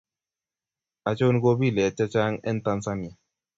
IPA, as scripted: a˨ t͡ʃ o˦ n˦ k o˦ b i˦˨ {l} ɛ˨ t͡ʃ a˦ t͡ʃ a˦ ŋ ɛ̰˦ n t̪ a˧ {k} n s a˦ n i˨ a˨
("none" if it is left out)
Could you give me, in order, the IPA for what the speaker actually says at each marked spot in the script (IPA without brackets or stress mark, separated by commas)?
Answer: l, none